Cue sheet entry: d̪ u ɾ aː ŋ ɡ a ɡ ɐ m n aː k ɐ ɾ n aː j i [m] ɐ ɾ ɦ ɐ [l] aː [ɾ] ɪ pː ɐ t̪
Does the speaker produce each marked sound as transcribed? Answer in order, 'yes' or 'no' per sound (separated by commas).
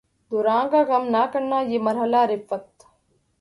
yes, yes, yes